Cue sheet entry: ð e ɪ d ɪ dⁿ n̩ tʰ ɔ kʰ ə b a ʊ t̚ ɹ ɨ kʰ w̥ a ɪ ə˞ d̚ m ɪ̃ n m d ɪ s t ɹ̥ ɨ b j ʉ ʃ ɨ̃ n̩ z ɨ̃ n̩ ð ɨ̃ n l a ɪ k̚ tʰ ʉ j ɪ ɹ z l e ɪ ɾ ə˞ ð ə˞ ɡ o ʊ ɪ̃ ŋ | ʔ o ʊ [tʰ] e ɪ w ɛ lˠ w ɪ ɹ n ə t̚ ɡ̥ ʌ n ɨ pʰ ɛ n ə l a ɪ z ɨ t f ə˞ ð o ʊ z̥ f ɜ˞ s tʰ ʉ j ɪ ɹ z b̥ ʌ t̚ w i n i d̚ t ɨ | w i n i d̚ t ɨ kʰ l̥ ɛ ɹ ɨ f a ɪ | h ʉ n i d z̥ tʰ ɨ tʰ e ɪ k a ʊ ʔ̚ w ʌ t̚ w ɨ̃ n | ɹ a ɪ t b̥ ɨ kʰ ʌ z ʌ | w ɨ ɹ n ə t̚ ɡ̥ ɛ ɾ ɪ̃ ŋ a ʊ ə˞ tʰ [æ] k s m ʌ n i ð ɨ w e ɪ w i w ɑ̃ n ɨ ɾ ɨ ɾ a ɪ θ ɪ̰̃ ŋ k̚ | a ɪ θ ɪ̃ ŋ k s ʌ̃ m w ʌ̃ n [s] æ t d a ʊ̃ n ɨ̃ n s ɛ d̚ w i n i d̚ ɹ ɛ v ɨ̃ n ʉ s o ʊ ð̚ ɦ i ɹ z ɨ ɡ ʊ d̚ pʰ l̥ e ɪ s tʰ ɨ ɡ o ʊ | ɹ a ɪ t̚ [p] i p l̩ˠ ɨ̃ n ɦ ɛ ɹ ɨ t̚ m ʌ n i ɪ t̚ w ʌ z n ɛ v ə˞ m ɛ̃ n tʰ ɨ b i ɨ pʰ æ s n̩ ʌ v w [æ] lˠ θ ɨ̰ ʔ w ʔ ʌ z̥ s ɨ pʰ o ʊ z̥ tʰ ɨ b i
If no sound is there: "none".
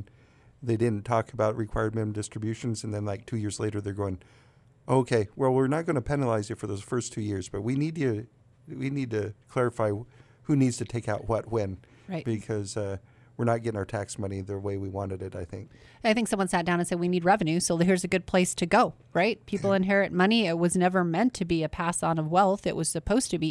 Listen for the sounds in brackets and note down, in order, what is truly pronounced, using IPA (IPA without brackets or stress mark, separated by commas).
kʰ, æ, s, pʰ, ɛ